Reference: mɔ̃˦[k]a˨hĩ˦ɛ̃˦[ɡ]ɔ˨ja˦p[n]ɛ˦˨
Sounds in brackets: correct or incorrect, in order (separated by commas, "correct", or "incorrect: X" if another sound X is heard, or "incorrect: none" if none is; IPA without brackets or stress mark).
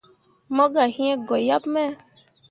incorrect: ɡ, correct, incorrect: m